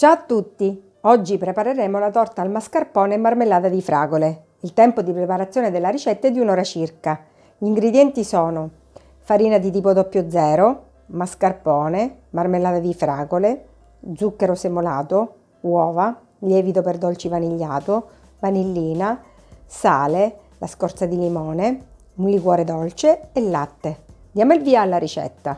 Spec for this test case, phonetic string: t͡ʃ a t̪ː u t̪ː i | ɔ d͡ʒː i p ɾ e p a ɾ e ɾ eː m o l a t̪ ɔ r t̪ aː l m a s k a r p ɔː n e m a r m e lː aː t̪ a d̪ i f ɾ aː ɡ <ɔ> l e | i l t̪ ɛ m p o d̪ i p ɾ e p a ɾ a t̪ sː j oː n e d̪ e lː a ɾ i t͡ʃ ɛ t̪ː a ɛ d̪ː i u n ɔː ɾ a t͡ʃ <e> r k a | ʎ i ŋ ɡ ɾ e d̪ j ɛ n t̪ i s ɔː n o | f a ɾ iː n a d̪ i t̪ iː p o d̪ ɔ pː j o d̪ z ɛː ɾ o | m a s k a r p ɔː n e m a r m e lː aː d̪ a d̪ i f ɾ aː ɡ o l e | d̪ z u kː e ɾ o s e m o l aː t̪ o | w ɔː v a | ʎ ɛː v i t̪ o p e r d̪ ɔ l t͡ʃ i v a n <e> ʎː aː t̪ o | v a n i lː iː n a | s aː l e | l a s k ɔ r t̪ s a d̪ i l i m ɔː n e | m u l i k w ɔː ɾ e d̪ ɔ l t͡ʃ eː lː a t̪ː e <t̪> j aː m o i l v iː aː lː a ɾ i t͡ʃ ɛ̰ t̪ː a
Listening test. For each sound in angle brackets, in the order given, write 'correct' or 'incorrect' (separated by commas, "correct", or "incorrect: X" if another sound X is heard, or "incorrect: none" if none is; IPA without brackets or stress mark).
incorrect: o, incorrect: i, incorrect: i, incorrect: d̪